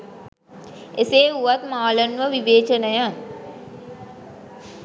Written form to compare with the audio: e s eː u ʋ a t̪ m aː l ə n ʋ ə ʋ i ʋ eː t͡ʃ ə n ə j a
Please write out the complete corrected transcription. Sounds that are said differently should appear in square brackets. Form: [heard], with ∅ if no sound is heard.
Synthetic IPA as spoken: e s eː u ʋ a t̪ m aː l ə n ʋ ə ʋ i ʋ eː t͡ʃ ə n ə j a